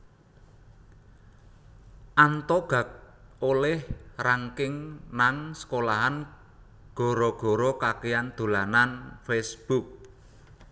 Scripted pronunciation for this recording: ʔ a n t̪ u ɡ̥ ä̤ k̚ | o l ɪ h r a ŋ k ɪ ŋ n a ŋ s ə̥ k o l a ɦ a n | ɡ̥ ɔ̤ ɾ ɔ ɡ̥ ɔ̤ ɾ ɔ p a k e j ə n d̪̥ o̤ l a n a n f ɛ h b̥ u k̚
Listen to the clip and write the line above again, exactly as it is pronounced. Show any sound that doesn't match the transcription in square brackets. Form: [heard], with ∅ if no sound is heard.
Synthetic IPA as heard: ʔ a n t̪ [ɔ] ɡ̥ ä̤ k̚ | o l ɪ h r a ŋ k ɪ ŋ n a ŋ s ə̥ k o l a ɦ a n | ɡ̥ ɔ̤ ɾ ɔ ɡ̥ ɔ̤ ɾ ɔ [k] a k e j [a] n d̪̥ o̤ l a n a n f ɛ [s] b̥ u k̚